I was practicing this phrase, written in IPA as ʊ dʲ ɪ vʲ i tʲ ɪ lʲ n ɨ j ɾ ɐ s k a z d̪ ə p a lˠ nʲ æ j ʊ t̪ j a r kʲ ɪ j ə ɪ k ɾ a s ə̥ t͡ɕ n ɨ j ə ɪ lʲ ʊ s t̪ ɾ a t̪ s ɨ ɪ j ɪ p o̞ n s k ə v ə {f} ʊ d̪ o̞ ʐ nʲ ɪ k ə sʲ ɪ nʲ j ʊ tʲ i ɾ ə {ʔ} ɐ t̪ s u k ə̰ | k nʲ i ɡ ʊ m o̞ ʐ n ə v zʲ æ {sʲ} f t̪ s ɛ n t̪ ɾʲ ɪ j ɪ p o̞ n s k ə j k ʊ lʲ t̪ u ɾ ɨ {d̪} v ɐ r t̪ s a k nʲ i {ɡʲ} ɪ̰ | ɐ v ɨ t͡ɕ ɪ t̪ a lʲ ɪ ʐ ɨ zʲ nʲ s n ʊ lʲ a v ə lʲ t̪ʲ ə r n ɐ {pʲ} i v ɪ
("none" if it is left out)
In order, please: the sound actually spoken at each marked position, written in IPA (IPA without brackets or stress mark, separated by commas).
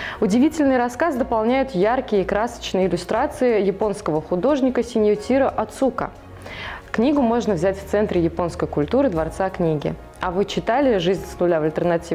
x, ʔ, tʲ, d̪, ɡʲ, tʲ